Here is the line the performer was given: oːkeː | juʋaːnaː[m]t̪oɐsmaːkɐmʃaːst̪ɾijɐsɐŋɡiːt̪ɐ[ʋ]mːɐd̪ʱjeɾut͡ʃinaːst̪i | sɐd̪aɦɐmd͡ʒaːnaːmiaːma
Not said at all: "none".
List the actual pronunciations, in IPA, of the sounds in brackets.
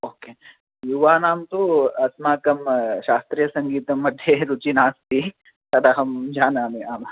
m, none

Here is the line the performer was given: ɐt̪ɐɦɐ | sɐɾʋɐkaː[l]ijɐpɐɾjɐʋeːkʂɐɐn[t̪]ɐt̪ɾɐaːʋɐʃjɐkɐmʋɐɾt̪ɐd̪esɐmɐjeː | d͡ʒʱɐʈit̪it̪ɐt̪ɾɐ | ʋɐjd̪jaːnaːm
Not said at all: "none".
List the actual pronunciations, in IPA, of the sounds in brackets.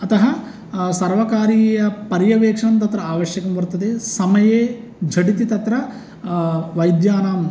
ɾ, t̪

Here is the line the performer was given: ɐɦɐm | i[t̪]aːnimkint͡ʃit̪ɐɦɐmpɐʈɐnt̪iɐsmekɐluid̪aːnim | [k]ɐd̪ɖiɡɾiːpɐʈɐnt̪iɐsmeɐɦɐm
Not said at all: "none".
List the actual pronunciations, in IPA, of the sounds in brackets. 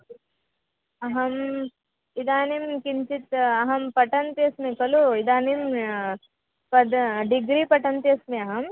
d̪, p

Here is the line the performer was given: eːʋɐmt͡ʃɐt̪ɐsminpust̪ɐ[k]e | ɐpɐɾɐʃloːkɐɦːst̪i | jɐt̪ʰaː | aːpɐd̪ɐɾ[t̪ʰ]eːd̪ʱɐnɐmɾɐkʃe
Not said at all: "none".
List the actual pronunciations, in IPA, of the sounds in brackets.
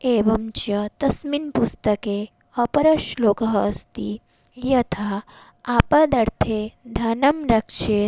k, t̪ʰ

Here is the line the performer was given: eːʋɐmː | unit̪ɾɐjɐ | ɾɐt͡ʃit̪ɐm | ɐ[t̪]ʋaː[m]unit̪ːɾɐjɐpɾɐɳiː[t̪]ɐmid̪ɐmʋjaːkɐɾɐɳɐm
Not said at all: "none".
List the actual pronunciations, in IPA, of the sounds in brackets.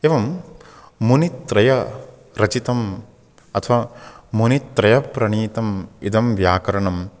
t̪ʰ, m, t̪

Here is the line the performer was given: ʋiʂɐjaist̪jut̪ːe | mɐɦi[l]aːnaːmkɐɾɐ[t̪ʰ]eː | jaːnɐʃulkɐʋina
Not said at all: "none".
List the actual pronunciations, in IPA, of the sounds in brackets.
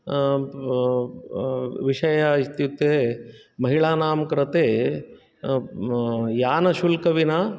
ɭ, t̪

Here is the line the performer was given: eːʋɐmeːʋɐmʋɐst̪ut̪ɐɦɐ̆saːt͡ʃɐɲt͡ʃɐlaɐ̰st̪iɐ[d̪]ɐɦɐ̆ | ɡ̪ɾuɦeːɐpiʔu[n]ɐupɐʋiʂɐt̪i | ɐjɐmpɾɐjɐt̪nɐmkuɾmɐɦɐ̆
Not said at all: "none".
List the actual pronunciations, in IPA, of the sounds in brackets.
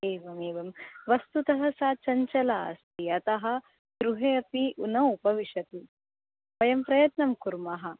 t̪, n

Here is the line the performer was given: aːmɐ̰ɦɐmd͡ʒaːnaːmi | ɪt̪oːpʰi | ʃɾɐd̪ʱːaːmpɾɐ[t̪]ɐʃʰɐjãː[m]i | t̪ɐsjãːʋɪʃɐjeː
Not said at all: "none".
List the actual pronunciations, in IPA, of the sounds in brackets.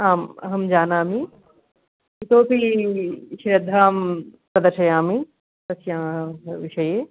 d̪, m

